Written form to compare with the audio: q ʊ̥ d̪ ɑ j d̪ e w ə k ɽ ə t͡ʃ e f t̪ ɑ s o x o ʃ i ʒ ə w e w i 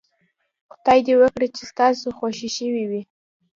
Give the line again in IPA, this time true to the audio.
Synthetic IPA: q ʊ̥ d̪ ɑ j d̪ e w ə k ɽ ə t͡ʃ e s t̪ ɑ s o x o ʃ i ʃ ə w i w i